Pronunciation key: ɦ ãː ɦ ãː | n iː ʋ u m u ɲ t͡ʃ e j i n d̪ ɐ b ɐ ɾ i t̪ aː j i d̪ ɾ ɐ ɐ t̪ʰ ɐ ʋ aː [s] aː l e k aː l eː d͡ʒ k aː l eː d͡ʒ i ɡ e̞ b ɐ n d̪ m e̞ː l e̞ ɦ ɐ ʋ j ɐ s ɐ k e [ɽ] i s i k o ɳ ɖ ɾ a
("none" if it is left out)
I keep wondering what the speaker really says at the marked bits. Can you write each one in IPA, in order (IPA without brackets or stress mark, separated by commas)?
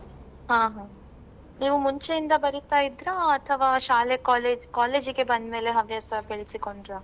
ʃ, ɭ